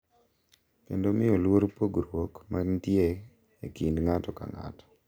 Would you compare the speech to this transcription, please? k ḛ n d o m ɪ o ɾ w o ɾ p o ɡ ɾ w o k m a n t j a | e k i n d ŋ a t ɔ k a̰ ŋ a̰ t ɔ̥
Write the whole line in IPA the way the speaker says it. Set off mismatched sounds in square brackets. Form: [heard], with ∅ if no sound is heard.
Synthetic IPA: k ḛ n d o m ɪ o [l] w o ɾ p o ɡ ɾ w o k m a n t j [e] | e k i n d ŋ a t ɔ k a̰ ŋ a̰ t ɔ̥